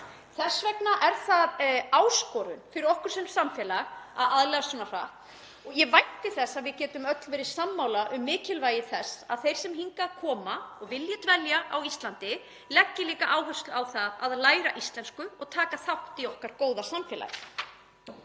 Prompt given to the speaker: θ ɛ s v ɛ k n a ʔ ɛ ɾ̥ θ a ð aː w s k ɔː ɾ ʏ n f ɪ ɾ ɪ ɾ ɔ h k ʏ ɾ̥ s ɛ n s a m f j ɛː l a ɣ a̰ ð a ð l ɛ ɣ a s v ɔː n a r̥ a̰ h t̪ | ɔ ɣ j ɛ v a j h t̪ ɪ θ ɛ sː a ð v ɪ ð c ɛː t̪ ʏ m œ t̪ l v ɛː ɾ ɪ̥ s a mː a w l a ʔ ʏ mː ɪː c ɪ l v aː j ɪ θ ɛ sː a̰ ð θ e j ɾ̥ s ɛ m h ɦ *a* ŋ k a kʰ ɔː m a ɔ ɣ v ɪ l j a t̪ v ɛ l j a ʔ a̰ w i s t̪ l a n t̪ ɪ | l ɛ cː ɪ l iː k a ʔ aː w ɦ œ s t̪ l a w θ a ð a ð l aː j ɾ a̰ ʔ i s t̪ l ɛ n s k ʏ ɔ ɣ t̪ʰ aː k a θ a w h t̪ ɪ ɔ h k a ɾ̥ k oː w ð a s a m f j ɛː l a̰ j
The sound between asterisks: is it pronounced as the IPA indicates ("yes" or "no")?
no